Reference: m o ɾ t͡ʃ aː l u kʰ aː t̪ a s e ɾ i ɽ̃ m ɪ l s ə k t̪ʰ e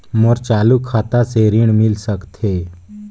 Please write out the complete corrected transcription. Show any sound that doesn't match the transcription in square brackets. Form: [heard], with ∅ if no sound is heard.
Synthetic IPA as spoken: m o ɾ t͡ʃ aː l u kʰ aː t̪ a s e ɾ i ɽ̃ m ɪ l s ə k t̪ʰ e